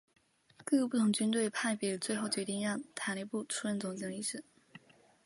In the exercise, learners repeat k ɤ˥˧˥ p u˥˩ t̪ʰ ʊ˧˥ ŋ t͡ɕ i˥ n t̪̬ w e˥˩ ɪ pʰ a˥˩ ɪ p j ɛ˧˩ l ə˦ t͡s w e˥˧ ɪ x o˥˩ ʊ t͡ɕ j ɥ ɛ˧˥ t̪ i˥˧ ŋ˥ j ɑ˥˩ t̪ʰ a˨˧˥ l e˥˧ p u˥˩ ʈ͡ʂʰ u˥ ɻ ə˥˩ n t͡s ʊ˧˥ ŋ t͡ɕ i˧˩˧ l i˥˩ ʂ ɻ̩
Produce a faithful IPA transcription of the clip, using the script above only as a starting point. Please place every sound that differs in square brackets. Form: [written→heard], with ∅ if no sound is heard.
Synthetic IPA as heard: k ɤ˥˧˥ p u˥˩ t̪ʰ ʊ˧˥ ŋ t͡ɕ [i˥→y˥] n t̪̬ w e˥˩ ɪ pʰ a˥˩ ɪ p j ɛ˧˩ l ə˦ t͡s w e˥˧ ɪ x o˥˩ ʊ t͡ɕ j ɥ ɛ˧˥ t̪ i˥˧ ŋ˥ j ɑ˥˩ t̪ʰ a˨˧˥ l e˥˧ p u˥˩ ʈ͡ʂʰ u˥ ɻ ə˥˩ n t͡s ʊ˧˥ ŋ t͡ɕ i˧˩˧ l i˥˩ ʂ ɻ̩